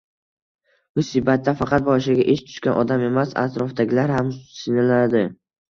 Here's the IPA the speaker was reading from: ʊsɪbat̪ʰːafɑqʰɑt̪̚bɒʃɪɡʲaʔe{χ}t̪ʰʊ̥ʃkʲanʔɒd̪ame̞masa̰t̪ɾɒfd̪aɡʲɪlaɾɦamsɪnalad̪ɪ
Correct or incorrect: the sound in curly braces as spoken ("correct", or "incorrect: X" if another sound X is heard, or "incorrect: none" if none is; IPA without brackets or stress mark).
incorrect: ʃ